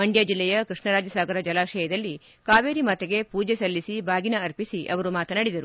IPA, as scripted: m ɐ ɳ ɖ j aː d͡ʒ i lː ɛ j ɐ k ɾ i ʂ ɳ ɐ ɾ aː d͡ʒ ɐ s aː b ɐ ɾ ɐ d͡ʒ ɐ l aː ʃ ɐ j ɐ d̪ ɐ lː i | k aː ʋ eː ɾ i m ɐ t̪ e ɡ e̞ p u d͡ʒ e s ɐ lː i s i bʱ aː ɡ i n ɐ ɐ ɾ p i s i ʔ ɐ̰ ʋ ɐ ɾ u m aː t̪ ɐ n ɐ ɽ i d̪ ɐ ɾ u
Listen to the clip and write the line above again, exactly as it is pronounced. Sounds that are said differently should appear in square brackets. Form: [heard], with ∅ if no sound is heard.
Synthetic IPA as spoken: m ɐ ɳ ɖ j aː d͡ʒ i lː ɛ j ɐ k ɾ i ʂ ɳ ɐ ɾ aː d͡ʒ ɐ s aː [ɡ] ɐ ɾ ɐ d͡ʒ ɐ l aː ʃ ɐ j ɐ d̪ ɐ lː i | k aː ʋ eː ɾ i m ɐ t̪ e ɡ e̞ p [uː] d͡ʒ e s ɐ lː i s i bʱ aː ɡ i n ɐ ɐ ɾ p i s i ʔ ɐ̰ ʋ ɐ ɾ u m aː t̪ ɐ n ɐ ɽ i d̪ ɐ ɾ u